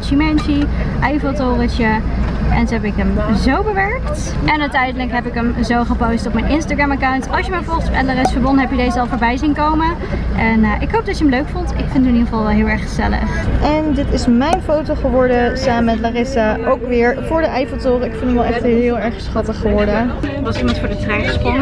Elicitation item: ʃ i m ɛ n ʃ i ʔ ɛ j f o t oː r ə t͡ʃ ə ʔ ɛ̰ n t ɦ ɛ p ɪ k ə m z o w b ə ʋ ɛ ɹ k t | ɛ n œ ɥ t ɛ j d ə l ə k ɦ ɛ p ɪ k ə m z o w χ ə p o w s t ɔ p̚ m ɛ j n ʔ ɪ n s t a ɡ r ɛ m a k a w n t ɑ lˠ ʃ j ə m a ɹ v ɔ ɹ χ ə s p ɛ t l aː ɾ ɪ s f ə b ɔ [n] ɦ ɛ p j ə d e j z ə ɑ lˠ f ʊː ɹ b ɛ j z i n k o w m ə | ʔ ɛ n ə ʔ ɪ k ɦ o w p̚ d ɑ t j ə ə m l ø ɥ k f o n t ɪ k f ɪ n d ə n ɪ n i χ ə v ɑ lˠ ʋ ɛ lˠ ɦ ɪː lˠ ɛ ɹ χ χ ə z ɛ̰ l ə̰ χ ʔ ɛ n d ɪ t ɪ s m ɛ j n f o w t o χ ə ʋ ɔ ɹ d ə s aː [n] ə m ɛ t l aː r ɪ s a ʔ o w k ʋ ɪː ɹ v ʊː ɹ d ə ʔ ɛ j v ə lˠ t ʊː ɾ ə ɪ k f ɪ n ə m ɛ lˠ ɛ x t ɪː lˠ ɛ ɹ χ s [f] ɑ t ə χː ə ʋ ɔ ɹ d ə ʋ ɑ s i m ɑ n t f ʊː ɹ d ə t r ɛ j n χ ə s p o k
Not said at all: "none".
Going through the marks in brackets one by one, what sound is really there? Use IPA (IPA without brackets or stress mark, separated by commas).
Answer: n, m, χ